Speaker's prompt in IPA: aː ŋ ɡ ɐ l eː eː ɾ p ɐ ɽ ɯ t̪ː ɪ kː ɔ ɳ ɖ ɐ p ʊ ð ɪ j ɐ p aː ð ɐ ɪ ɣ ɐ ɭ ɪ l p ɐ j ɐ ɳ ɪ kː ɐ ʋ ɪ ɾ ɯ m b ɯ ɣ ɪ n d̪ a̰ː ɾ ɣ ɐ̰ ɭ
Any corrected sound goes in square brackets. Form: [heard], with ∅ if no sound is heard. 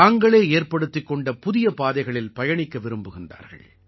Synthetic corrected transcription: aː ŋ ɡ ɐ [ɭ] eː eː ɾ p ɐ ɽ ɯ t̪ː ɪ kː ɔ ɳ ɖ ɐ p ʊ ð ɪ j ɐ p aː ð ɐ ɪ ɣ ɐ ɭ ɪ l p ɐ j ɐ ɳ ɪ kː ɐ ʋ ɪ ɾ ɯ m b ɯ ɣ ɪ n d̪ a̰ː ɾ ɣ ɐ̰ ɭ